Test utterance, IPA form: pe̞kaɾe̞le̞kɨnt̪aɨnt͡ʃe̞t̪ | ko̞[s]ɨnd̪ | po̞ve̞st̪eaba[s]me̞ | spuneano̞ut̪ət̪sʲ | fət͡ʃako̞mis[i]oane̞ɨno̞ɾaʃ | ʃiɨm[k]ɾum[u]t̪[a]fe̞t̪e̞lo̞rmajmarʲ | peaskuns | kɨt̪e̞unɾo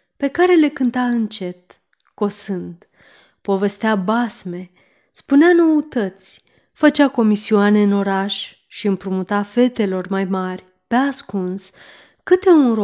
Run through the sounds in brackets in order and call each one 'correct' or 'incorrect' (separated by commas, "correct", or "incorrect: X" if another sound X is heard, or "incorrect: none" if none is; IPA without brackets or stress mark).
correct, correct, correct, incorrect: p, correct, correct